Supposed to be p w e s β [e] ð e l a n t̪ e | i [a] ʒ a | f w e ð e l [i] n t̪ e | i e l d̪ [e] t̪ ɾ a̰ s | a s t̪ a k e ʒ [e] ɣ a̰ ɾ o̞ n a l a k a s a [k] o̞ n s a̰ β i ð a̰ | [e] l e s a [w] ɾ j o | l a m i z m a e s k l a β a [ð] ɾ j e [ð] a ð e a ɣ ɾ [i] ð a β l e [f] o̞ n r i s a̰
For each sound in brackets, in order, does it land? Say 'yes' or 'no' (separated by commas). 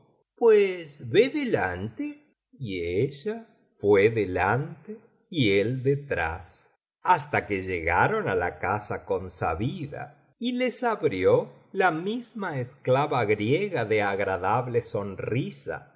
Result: yes, no, no, yes, yes, yes, no, no, no, no, no, no